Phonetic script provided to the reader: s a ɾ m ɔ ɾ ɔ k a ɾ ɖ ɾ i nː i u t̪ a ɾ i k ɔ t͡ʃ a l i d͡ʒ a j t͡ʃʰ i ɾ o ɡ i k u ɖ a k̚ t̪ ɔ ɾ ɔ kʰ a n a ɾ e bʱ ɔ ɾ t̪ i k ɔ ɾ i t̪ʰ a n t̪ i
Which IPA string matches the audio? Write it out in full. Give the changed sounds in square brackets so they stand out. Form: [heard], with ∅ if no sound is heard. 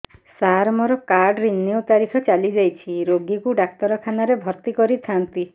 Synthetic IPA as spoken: s a ɾ m ɔ ɾ ɔ k a ɾ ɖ ɾ i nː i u t̪ a ɾ i [kʰ] ɔ t͡ʃ a l i d͡ʒ a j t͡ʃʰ i ɾ o ɡ i k u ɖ a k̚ t̪ ɔ ɾ ɔ kʰ a n a ɾ e bʱ ɔ ɾ t̪ i k ɔ ɾ i t̪ʰ a n t̪ i